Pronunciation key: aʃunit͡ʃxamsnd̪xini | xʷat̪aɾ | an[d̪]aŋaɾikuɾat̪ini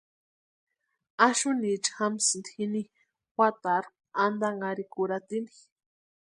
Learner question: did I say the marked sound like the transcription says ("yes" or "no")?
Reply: yes